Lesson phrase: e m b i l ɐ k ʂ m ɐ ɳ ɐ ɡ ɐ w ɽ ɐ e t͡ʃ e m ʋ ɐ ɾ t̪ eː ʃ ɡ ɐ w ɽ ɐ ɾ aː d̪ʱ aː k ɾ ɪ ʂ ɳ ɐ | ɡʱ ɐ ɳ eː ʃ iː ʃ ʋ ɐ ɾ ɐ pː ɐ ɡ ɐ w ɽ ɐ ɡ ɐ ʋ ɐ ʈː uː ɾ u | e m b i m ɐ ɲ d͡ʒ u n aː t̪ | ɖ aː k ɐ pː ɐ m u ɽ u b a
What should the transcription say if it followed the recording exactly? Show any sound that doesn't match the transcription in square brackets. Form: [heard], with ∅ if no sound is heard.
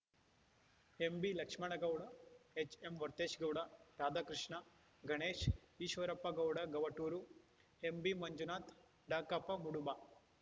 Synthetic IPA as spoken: e m b i l ɐ k ʂ m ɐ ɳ ɐ ɡ ɐ w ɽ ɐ e t͡ʃ e m ʋ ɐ ɾ t̪ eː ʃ ɡ ɐ w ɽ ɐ ɾ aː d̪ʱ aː k ɾ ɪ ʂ ɳ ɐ | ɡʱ ɐ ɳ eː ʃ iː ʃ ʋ ɐ ɾ ɐ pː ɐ ɡ ɐ w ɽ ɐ ɡ ɐ ʋ ɐ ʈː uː ɾ u | e m b i m ɐ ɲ d͡ʒ u n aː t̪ | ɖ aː k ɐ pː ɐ m u ɽ u b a